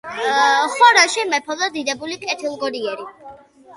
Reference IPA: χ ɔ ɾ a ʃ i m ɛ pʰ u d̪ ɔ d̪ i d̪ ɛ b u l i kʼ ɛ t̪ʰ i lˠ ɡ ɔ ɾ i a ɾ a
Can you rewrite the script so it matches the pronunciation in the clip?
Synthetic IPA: χ ɔ ɾ a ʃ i m ɛ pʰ ɔ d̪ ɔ d̪ i d̪ ɛ b u l i kʼ ɛ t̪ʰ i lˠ ɡ ɔ ɾ i ɛ ɾ i